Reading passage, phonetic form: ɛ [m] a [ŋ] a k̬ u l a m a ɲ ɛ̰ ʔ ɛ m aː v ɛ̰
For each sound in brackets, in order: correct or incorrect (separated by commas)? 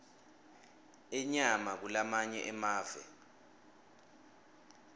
incorrect, incorrect